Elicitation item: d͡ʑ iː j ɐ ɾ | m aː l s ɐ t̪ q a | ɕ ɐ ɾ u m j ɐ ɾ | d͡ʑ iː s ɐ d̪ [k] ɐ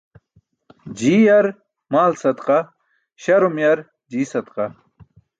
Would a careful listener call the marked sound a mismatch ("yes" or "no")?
yes